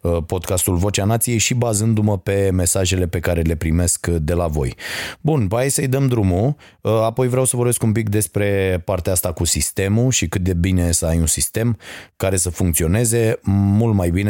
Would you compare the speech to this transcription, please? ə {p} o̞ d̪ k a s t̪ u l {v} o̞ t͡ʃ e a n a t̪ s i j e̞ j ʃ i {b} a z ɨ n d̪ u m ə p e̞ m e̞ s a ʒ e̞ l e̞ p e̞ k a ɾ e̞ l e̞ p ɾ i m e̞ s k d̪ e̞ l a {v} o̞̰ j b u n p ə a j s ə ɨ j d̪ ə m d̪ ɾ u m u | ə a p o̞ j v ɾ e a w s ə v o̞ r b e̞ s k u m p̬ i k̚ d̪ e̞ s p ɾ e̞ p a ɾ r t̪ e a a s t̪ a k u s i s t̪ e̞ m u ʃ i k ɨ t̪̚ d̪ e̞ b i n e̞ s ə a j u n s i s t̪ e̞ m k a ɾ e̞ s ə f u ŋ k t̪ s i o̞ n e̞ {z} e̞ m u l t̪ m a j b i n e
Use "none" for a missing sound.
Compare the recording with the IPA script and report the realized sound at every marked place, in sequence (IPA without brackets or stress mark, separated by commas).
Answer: p, v, b, v, z